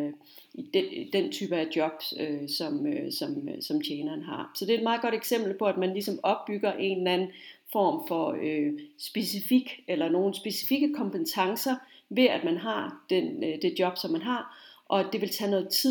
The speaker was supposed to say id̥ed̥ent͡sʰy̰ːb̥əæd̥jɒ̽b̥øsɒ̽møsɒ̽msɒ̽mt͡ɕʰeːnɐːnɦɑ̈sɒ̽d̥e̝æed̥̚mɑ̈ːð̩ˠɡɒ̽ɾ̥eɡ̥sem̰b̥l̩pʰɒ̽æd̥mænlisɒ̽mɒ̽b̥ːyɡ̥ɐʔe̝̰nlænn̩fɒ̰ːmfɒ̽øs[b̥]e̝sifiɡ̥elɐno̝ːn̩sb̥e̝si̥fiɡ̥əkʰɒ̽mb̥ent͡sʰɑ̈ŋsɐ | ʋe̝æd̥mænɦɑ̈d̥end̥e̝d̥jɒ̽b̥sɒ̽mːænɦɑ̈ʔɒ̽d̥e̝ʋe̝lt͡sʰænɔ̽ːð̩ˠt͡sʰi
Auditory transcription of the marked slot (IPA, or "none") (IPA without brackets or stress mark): b̥